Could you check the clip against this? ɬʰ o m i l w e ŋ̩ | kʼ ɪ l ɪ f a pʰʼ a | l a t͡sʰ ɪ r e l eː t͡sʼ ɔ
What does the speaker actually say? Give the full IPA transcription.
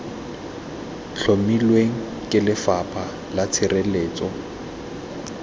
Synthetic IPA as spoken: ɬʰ o m i l w e ŋ̩ | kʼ ɪ l ɪ f a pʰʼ a | l a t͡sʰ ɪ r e l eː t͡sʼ ɔ